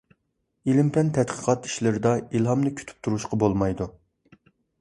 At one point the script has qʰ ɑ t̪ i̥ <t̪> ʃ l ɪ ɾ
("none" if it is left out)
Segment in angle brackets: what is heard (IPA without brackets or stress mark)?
none